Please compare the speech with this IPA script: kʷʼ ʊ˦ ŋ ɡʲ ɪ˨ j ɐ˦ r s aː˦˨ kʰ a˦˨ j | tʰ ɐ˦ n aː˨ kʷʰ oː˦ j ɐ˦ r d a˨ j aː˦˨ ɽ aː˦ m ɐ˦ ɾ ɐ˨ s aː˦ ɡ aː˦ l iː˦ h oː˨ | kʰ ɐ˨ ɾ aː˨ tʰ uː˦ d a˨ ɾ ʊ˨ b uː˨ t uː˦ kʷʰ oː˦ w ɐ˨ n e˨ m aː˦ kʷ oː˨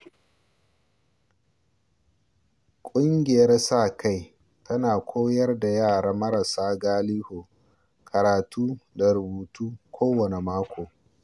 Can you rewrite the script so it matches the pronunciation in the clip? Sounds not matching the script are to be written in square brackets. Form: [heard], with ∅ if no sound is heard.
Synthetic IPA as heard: kʷʼ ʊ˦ ŋ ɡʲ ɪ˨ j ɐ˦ r s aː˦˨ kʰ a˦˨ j | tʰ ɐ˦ n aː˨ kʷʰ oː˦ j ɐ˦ r d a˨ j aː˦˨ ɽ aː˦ m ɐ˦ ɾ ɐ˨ s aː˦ ɡ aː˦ l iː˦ h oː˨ | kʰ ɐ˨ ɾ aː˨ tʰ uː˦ d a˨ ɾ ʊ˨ b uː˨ t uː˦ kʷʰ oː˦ w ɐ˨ n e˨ m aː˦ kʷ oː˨